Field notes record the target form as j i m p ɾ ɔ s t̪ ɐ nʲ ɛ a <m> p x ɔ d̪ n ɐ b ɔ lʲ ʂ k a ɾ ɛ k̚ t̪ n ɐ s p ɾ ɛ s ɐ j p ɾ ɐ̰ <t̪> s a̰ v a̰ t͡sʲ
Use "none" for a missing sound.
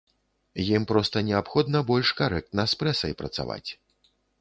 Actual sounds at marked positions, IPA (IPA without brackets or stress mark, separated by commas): none, t̪